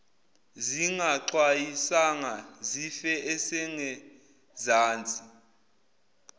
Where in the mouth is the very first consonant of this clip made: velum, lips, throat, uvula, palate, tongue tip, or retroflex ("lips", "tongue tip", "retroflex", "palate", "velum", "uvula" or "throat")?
tongue tip